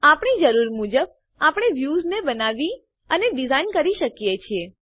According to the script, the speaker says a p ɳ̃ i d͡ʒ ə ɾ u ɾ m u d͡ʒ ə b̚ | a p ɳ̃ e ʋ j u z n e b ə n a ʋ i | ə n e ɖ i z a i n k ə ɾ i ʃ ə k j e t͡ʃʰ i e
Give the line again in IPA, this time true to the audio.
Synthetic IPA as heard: a p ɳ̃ i d͡ʒ ə ɾ u ɾ m u d͡ʒ ə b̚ | a p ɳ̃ e ʋ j u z n e b ə n a ʋ i | ə n e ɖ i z a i n k ə ɾ i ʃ ə k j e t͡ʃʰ i e